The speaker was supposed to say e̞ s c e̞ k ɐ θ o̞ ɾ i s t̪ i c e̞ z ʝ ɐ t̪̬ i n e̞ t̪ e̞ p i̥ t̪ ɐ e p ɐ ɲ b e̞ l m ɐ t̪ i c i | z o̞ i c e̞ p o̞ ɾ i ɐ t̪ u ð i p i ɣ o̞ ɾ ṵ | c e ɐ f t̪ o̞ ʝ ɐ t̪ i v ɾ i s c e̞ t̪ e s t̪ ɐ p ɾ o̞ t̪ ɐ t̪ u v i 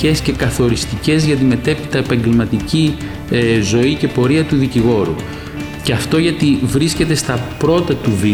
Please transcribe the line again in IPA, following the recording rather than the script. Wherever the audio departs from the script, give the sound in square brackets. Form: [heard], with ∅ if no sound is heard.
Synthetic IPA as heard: e̞ s c e̞ k ɐ θ o̞ ɾ i s t̪ i c e̞ z ʝ ɐ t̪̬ i [m] e̞ t̪ e̞ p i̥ t̪ ɐ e p ɐ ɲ [ɟ] e̞ l m ɐ t̪ i c i | z o̞ i c e̞ p o̞ ɾ i ɐ t̪ u ð i [c] i ɣ o̞ ɾ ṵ | c e ɐ f t̪ o̞ ʝ ɐ t̪ i v ɾ i s c e̞ t̪ e s t̪ ɐ p ɾ o̞ t̪ ɐ t̪ u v i